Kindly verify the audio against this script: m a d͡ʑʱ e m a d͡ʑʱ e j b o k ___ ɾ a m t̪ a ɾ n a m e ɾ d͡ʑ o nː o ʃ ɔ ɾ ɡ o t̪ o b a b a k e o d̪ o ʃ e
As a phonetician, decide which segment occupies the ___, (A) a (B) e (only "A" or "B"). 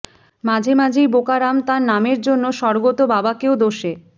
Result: A